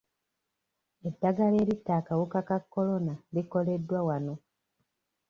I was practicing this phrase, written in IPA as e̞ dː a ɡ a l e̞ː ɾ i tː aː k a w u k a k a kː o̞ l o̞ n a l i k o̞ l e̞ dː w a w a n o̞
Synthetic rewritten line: e̞ dː a ɡ a l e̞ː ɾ i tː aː k a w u k a k a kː o̞ l o̞ n a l i k o̞ l e̞ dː w a w a n o̞